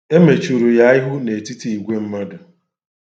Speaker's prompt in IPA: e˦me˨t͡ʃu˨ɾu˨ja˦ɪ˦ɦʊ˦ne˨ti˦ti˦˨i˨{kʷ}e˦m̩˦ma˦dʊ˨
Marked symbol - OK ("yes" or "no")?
no